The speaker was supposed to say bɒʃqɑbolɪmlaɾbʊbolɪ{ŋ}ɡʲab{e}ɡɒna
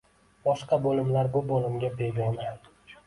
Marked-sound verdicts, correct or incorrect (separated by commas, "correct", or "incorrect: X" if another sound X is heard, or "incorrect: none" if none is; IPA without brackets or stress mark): incorrect: m, correct